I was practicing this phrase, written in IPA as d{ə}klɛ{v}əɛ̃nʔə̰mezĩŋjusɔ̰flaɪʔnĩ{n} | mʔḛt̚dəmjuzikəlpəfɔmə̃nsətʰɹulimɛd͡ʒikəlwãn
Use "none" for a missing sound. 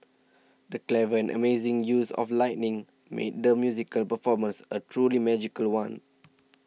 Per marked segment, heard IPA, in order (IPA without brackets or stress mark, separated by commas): ə, v, ŋ